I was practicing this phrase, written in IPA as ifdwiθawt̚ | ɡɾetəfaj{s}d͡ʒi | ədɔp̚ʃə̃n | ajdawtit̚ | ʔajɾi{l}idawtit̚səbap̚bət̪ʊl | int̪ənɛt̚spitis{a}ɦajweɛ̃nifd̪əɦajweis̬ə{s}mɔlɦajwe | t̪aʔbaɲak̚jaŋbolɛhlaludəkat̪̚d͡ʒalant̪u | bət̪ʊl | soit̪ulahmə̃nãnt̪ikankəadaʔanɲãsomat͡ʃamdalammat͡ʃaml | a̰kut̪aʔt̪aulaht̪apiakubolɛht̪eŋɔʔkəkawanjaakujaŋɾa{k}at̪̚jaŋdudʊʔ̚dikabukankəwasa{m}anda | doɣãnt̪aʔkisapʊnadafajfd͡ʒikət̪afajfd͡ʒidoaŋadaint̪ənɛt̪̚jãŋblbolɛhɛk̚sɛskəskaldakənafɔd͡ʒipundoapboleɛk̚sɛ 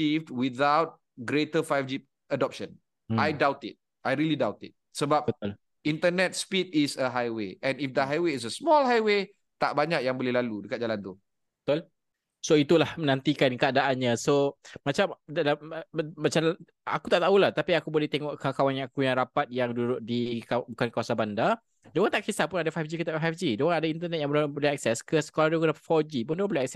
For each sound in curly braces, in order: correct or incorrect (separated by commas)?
incorrect, correct, incorrect, correct, incorrect, incorrect